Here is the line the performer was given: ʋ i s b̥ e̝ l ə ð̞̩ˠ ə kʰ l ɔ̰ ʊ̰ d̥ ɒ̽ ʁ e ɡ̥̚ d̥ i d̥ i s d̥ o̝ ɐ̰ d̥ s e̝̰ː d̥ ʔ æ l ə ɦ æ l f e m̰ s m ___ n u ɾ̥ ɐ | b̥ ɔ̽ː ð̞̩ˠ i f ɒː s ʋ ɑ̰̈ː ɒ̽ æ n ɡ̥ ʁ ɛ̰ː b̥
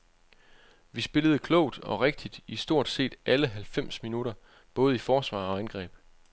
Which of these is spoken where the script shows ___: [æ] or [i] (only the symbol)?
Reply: i